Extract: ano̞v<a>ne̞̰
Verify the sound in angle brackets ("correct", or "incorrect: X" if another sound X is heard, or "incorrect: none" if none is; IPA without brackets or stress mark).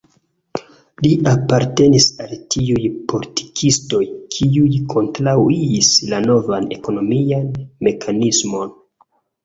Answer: correct